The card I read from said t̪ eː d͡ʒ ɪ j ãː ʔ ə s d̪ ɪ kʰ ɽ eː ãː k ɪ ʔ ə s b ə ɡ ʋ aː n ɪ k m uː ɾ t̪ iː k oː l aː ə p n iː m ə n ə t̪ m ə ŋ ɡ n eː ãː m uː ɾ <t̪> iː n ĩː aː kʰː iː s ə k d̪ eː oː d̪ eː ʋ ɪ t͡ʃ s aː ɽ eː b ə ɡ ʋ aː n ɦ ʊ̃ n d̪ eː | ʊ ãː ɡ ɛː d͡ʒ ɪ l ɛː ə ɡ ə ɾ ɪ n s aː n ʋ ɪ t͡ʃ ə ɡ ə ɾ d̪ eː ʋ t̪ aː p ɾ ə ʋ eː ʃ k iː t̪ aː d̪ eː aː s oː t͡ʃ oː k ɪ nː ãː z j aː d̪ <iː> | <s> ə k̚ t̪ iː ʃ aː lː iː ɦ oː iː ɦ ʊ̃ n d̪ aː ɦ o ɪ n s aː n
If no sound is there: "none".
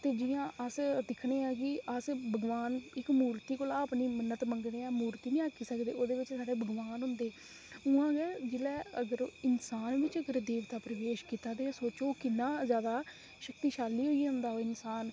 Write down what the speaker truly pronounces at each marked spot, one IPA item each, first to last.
t̪, aː, ʃ

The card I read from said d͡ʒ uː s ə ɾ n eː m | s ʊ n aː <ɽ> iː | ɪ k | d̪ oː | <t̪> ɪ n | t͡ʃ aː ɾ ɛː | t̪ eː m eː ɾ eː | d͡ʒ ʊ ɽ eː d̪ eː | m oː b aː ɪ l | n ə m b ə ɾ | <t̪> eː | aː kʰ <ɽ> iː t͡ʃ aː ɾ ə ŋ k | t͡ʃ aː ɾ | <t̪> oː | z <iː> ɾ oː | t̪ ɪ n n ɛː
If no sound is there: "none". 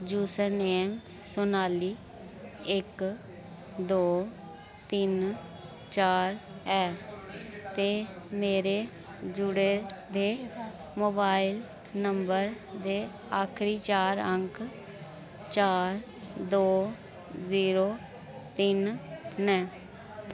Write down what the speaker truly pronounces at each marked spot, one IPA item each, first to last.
l, t̪, d̪, ɾ, d̪, iː

